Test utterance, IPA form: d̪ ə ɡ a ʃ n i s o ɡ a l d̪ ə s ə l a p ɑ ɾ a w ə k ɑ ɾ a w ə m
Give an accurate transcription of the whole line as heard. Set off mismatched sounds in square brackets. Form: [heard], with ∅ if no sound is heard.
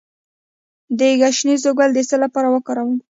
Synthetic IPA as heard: d̪ ə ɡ a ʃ n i [z] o ɡ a l d̪ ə s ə l a p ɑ ɾ a w ə k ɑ ɾ a w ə m

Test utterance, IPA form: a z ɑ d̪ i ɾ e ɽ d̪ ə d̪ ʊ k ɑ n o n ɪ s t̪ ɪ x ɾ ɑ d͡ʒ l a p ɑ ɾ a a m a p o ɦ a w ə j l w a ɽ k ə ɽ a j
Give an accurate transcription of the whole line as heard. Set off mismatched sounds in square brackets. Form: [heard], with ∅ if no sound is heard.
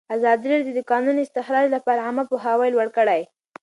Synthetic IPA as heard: a z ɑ d̪ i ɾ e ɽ d̪ ə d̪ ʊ k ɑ n [u] n ɪ s t̪ ɪ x ɾ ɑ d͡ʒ l a p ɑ ɾ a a m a p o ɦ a w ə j l w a ɽ k ə ɽ a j

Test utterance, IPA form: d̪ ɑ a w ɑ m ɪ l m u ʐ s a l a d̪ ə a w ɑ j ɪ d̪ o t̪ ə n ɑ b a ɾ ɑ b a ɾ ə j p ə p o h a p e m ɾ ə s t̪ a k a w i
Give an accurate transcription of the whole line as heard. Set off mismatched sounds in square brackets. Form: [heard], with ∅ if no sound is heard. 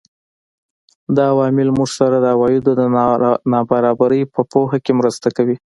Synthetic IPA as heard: d̪ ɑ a w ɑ m ɪ l m u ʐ s a [ɾ] a d̪ ə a w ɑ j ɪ d̪ o [d̪] ə n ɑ b a ɾ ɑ b a ɾ ə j p ə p o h a [k] e m ɾ ə s t̪ a k a w i

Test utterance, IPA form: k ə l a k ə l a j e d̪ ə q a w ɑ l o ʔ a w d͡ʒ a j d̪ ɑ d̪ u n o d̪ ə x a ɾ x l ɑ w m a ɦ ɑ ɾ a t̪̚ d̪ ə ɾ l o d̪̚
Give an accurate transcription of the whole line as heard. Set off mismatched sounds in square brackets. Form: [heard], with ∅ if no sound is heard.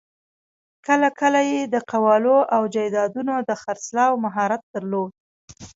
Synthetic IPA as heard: k ə l a k ə l a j e d̪ ə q a w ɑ l o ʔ a w d͡ʒ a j d̪ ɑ d̪ u n o d̪ ə x a ɾ [s] l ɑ w m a ɦ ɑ ɾ a t̪̚ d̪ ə ɾ l o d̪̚

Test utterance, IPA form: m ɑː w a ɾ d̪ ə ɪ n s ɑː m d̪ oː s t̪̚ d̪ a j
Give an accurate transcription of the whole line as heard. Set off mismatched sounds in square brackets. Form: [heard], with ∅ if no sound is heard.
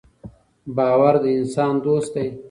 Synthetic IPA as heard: [b] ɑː w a ɾ d̪ ə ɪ n s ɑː [n] d̪ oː s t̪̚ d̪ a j

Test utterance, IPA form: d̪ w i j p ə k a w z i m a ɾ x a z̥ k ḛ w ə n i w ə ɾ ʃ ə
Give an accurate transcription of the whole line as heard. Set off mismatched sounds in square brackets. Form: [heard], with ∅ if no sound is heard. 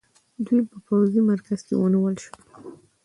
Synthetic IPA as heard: d̪ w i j p ə [p] a w z i m a ɾ [k] a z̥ k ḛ w ə n i w ə [l] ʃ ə

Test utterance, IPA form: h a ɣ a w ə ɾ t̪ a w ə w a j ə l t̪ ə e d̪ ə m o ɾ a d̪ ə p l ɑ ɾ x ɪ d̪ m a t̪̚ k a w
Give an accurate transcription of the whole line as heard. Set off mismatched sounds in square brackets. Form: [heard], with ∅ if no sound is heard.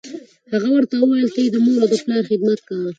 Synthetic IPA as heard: h a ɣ a w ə ɾ t̪ a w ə w a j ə l t̪ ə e d̪ ə m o ɾ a d̪ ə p l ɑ ɾ x ɪ d̪ m a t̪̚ k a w

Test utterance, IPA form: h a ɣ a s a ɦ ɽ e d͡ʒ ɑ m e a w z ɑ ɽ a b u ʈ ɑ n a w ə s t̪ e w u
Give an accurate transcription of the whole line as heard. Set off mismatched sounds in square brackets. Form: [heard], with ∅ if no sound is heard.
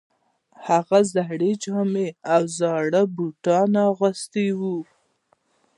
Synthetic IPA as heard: h a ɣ a [z] a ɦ ɽ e d͡ʒ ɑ m e a w z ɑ ɽ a b u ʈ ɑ n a [ɣ] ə s t̪ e w u

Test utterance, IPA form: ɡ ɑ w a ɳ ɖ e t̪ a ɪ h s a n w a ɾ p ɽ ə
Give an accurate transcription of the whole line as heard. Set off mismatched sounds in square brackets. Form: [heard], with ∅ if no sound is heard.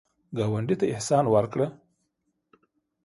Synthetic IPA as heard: ɡ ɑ w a ɳ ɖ [i] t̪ a ɪ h s [ɑ] n w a ɾ [k] ɽ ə

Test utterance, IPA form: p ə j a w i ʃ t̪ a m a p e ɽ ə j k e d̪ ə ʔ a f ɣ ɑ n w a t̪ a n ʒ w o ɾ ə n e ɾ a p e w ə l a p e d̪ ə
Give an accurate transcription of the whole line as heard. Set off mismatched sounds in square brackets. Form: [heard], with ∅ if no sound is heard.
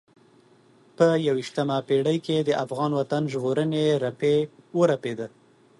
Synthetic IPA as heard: p ə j a w i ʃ t̪ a m a p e ɽ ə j k e d̪ ə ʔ a f ɣ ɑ n w a t̪ a n ʒ [ɣ] o ɾ ə n e ɾ a p e w ə [ɾ] a p e d̪ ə

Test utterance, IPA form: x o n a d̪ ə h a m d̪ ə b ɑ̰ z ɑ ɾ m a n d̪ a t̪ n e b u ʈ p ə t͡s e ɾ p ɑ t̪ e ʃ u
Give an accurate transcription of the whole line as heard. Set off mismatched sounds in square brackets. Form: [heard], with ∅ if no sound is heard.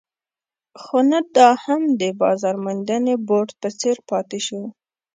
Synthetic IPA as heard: x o n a d̪ [ɑ] h a m d̪ ə b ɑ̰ z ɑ ɾ m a n d̪ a [∅] n e b [o] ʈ p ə t͡s e ɾ p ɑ t̪ e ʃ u

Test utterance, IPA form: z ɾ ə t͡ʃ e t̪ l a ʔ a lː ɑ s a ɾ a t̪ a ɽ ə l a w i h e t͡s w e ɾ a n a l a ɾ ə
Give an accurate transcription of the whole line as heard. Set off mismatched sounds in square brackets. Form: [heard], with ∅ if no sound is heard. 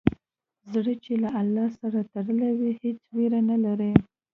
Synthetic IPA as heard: z [ɽ] ə t͡ʃ e [∅] l a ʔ a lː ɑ s a ɾ a t̪ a ɽ ə l a w i h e t͡s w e ɾ a n a l a ɾ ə

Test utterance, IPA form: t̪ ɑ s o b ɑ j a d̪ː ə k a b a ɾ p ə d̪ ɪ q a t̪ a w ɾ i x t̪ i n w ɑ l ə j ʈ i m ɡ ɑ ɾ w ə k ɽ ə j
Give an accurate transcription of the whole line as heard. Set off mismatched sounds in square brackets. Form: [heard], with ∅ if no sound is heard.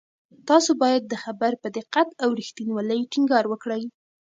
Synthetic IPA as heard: t̪ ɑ s o b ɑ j a d̪ː ə [x] a b a ɾ p ə d̪ ɪ q a t̪ a w ɾ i x t̪ i n w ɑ l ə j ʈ i [ŋ] ɡ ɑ ɾ w ə k ɽ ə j

